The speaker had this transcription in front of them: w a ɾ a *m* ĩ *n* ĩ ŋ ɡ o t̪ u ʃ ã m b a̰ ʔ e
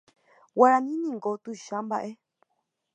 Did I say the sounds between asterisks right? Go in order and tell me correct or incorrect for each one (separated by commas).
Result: incorrect, correct